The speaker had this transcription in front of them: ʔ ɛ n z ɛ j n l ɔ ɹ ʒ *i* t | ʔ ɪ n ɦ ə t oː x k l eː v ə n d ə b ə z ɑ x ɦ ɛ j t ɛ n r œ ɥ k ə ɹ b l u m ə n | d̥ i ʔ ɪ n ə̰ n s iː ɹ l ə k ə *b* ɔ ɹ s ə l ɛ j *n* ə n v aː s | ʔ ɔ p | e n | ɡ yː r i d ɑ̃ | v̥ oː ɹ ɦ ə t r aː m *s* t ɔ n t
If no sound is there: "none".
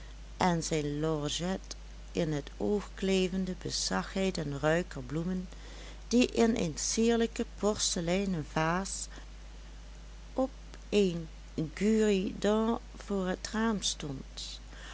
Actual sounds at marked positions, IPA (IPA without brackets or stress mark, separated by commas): ɛ, p, n, s